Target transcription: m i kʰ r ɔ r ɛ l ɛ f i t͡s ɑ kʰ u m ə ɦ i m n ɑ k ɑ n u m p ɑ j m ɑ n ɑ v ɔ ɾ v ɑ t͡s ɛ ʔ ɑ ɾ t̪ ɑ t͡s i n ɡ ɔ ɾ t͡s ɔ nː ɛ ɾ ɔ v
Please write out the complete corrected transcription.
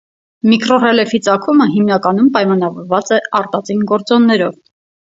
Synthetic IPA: m i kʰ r ɔ r ɛ l ɛ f i t͡s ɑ kʰ u m ə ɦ i m n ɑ k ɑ n u m p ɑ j m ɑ n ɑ v ɔ ɾ v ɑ t͡s ɛ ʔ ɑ ɾ t̪ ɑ t͡s i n ɡ ɔ ɾ t͡s ɔ nː ɛ ɾ ɔ v